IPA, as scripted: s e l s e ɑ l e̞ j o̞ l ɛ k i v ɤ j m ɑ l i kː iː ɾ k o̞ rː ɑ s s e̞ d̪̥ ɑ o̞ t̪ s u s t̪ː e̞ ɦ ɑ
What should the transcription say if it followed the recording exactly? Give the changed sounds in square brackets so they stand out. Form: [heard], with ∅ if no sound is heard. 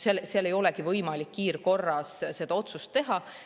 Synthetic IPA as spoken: s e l s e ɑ l e̞ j o̞ l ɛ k i v ɤ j m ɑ l i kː iː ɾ k o̞ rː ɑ s s e̞ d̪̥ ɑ o̞ t̪ s u s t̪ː e̞ ɦ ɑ